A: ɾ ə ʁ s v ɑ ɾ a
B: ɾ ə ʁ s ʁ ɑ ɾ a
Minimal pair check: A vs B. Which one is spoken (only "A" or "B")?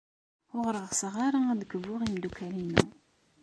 B